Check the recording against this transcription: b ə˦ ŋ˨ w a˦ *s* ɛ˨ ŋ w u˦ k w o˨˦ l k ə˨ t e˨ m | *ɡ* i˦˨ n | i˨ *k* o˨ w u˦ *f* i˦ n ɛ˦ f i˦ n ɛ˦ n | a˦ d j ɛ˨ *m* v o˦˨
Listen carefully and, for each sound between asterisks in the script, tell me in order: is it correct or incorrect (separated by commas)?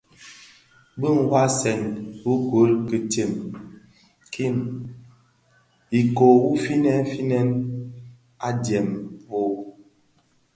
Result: correct, incorrect, correct, correct, correct